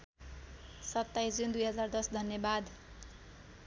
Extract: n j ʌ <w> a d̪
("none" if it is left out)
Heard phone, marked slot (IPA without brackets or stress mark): b